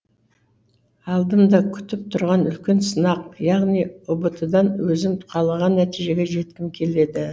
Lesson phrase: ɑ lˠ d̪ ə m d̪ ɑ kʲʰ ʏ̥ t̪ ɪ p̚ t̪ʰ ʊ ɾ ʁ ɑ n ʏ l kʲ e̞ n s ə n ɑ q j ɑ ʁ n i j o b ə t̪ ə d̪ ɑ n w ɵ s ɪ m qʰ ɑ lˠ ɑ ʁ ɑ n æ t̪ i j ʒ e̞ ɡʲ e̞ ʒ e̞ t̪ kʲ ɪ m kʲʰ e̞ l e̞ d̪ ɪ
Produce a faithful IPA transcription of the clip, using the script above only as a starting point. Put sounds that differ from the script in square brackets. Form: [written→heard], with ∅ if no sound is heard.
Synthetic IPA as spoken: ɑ lˠ d̪ ə m d̪ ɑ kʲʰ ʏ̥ t̪ ɪ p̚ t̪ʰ ʊ ɾ ʁ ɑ n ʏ l kʲ e̞ n s ə n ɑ q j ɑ ʁ n i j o b ə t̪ ə d̪ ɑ n w ɵ [s→z] ɪ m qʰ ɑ lˠ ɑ ʁ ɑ [n→nː] æ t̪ i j ʒ e̞ ɡʲ e̞ ʒ e̞ t̪ kʲ ɪ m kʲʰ e̞ l e̞ d̪ ɪ